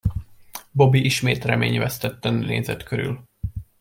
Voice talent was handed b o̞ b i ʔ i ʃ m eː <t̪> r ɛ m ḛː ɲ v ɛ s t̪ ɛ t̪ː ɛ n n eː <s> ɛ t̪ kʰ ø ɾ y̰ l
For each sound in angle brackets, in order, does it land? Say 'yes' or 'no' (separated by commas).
yes, no